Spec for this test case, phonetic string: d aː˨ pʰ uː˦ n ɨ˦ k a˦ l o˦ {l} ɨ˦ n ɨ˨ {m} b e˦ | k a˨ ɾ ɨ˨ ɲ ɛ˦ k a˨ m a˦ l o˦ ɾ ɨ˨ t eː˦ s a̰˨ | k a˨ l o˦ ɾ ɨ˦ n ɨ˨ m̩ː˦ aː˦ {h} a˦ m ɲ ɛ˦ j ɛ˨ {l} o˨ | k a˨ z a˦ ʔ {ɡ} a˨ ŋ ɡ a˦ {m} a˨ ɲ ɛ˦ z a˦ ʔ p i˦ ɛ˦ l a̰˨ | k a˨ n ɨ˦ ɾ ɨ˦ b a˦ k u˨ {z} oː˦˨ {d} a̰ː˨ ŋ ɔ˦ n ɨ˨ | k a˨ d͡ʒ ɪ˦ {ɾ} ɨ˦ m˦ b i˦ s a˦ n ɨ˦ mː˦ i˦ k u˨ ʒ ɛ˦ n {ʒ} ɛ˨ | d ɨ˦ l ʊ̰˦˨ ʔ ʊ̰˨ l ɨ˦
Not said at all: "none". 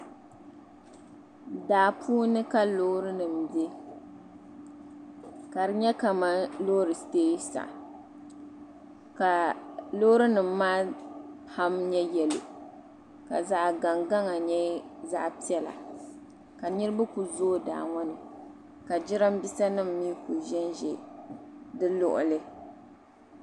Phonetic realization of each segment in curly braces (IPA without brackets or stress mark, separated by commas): ɾ, m, h, l, ɡ, ŋ, z, d, ɾ, ʒ